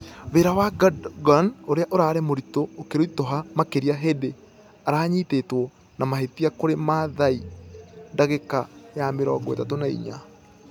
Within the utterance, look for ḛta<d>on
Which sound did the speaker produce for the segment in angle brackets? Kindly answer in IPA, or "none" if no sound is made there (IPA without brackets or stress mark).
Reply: t